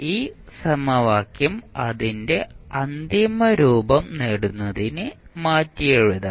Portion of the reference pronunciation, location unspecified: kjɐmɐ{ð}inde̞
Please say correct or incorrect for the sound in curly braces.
correct